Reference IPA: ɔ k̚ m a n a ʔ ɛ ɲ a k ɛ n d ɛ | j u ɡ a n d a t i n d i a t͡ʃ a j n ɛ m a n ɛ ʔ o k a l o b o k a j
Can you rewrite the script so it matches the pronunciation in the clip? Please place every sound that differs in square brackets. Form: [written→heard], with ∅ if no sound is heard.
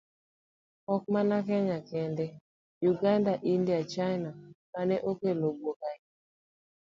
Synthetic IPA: ɔ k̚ m a n a [ʔ→k] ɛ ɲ a k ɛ n d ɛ | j u ɡ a n d a [t→ʔ] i n d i a t͡ʃ a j n [ɛ→a] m a n ɛ ʔ o k [a→e] l o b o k a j